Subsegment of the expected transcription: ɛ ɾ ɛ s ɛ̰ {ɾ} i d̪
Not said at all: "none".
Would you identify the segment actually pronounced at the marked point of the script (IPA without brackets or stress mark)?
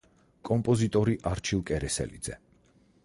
l